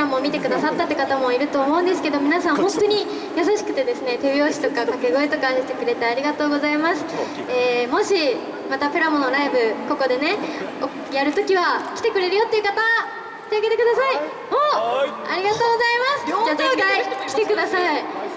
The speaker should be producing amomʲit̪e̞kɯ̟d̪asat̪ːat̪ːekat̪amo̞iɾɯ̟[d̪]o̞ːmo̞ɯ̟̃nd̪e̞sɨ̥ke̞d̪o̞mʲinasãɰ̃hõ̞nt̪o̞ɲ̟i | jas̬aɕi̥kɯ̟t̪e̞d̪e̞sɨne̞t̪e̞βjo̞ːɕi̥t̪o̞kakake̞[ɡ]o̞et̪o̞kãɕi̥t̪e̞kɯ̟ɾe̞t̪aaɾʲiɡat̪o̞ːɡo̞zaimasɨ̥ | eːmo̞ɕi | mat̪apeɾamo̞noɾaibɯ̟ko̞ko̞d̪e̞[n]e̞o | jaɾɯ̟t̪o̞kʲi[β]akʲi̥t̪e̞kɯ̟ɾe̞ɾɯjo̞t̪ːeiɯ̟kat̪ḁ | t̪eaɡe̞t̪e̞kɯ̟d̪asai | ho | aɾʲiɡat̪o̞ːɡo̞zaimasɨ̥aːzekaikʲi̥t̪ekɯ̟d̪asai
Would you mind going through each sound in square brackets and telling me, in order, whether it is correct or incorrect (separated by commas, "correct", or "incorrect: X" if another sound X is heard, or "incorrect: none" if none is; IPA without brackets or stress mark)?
incorrect: t̪, correct, correct, correct